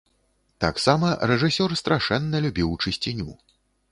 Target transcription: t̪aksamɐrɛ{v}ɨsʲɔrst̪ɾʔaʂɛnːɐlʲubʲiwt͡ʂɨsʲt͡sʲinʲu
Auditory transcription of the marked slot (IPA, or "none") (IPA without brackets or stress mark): ʐ